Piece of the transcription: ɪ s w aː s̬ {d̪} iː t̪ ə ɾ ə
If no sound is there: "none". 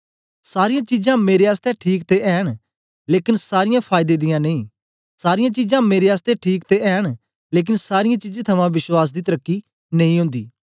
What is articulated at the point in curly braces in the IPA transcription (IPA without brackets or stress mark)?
d̪